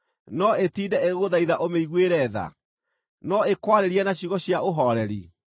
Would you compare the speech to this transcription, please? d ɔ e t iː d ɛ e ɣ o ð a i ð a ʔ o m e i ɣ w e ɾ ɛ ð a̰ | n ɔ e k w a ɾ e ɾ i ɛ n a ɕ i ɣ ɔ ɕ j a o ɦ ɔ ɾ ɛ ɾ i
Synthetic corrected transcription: n ɔ e t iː d ɛ e ɣ o ð a i ð a ʔ o m e i ɣ w e ɾ ɛ ð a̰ | n ɔ e k w a ɾ e ɾ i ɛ n a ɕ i ɣ ɔ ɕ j a o ɦ ɔ ɾ ɛ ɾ i